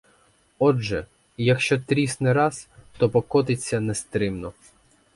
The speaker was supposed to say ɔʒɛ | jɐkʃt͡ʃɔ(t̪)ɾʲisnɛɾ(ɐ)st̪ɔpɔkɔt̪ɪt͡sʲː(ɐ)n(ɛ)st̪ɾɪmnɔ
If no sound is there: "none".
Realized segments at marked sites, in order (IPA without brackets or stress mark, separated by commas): t̪, ɑ, ɐ, ɛ